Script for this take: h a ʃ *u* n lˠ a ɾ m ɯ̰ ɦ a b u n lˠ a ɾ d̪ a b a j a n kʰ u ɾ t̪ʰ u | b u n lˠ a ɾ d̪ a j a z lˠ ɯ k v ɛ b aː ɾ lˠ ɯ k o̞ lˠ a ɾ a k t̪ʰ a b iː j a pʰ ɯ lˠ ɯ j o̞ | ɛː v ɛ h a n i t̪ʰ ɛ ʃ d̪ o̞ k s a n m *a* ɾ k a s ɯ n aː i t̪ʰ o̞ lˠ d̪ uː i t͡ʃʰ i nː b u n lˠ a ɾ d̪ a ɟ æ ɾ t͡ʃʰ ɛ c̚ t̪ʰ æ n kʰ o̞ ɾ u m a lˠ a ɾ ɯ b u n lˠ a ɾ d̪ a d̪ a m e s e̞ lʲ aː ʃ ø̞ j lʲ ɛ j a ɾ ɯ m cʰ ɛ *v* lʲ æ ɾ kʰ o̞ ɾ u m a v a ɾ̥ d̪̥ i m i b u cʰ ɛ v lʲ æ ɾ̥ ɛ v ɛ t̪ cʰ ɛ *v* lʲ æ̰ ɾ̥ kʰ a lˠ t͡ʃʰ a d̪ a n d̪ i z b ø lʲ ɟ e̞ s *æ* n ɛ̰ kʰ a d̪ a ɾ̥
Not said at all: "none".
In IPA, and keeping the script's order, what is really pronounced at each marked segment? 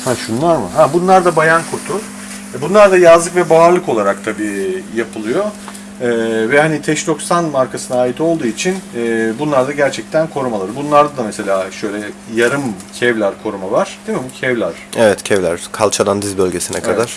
u, a, v, v, i

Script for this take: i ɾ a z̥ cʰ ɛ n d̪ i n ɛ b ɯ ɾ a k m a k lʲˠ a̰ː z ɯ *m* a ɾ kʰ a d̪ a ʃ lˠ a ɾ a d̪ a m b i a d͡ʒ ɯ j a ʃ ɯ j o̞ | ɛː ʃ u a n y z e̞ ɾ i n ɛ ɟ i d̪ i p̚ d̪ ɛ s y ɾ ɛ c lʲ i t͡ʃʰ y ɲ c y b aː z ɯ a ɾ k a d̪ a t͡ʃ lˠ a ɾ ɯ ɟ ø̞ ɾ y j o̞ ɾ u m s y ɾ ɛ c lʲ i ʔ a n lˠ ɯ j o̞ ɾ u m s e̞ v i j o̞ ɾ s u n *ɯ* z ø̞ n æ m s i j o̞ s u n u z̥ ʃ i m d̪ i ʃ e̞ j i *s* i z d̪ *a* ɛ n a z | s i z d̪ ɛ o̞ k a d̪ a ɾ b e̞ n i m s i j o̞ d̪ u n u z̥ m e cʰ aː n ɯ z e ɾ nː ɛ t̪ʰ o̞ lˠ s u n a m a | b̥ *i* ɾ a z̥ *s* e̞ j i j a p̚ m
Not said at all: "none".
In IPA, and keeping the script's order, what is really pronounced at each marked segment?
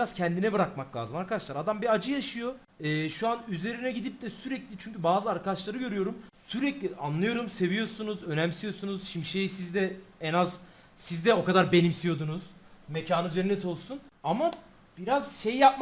m, u, s, ɛ, i, ʃ

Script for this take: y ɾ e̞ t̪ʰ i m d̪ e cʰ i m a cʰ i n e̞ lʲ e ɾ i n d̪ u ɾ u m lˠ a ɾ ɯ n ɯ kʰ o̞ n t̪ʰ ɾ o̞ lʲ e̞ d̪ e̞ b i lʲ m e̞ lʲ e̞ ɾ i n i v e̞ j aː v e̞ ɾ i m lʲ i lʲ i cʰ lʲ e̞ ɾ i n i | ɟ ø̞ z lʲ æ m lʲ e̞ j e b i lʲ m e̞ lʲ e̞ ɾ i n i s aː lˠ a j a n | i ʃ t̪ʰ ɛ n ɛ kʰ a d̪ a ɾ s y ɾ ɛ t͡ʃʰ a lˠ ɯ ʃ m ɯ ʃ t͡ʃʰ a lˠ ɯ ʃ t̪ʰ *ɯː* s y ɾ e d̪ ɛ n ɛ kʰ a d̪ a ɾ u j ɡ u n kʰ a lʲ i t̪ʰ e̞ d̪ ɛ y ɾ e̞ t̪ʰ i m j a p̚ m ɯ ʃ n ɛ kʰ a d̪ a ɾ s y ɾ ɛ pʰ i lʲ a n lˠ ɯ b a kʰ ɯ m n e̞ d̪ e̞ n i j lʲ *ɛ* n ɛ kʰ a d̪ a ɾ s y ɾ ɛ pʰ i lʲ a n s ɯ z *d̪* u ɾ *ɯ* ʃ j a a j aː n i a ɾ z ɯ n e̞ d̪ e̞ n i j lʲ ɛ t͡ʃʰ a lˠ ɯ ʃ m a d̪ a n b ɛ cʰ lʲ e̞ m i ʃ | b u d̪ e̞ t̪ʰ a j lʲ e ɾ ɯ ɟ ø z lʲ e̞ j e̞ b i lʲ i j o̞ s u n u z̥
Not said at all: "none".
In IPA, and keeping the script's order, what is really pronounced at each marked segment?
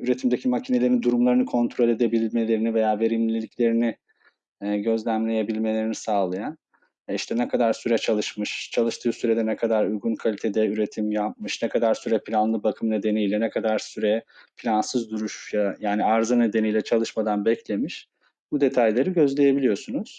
ɯː, ɛ, d̪, u

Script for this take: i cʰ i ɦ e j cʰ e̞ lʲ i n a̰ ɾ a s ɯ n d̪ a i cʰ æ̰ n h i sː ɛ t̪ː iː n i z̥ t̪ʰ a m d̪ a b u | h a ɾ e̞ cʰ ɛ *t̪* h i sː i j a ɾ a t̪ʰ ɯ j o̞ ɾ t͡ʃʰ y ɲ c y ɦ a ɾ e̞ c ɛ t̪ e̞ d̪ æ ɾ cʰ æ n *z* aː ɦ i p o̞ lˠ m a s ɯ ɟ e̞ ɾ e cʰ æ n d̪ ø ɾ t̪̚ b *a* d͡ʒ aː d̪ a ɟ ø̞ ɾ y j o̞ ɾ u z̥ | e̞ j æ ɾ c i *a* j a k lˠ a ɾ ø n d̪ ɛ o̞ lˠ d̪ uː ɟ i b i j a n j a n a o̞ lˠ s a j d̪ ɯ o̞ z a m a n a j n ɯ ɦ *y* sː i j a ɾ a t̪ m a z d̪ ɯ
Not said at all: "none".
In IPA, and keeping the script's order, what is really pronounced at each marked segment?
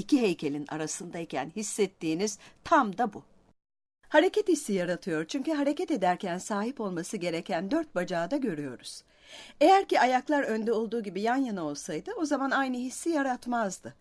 t̪, s, a, a, i

